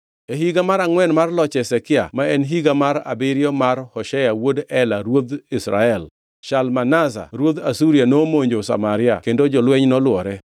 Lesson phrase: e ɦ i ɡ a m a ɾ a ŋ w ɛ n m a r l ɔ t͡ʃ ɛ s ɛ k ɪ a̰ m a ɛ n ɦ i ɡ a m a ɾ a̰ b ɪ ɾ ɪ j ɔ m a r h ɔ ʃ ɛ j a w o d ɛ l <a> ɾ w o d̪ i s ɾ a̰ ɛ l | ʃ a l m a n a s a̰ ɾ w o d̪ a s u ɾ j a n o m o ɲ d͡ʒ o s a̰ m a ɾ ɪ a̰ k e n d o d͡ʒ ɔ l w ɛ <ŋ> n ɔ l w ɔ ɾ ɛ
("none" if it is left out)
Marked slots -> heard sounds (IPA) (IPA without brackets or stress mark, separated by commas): a, ɲ